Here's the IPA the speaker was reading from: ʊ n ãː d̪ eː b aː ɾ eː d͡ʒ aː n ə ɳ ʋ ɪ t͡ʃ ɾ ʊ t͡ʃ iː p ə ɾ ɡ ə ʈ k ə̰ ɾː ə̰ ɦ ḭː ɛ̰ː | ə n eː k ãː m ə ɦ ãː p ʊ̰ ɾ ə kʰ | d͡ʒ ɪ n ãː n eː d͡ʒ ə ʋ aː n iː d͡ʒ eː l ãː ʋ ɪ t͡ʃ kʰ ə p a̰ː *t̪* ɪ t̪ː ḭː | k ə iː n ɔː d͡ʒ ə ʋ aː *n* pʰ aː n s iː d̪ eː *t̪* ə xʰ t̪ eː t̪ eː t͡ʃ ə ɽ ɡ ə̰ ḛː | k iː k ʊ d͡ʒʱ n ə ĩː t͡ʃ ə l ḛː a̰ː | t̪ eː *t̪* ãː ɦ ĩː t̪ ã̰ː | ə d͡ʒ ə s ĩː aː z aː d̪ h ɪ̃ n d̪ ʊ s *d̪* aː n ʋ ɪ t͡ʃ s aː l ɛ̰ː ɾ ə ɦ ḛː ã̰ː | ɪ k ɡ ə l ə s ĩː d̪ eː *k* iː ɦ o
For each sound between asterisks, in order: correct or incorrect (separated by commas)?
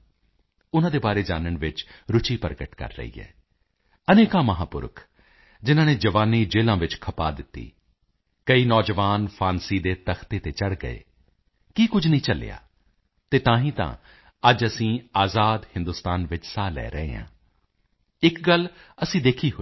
incorrect, correct, correct, correct, incorrect, incorrect